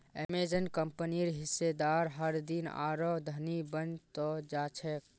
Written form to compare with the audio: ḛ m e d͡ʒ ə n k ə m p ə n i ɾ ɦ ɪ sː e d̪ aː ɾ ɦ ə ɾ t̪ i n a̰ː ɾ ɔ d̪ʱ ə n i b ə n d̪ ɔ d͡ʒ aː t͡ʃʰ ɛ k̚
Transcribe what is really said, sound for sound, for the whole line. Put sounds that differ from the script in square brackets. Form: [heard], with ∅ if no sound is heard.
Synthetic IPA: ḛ m e d͡ʒ ə n k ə m p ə n i ɾ ɦ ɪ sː e d̪ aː ɾ ɦ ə ɾ [d̪] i n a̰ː ɾ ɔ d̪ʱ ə n i b ə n [t̪] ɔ d͡ʒ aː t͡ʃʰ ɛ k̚